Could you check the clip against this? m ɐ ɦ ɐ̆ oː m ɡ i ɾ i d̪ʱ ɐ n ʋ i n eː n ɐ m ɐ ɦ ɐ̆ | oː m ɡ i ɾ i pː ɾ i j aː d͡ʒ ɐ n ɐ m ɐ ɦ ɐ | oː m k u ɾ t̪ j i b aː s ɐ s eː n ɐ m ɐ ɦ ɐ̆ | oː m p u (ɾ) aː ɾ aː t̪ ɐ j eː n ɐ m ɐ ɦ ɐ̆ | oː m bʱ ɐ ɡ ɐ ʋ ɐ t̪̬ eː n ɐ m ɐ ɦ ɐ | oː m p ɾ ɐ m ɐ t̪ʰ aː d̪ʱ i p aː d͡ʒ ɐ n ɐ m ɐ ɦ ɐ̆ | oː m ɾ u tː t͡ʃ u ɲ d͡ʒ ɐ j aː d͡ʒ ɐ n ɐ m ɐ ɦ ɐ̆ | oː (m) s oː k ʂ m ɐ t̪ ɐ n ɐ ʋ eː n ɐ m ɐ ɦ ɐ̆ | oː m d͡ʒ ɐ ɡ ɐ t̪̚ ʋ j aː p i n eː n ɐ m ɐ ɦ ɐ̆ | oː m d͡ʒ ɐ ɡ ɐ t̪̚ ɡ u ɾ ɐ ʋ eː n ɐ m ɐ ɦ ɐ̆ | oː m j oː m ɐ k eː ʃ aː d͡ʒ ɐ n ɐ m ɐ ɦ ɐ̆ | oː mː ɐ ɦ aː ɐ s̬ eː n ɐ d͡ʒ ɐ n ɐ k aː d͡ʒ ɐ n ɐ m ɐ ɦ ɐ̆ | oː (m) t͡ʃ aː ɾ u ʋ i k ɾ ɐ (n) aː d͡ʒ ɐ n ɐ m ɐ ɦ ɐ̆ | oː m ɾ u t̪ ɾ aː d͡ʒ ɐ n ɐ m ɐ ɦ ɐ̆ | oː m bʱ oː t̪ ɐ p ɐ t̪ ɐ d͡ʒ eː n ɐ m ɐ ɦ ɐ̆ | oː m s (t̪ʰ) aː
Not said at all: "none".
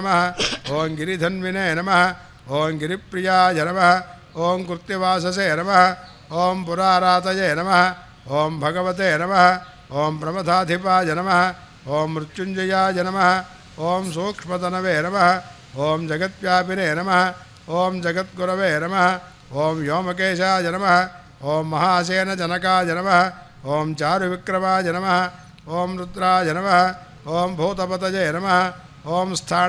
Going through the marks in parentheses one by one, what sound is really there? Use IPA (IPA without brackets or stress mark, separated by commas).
ɾ, m, m, m, t̪ʰ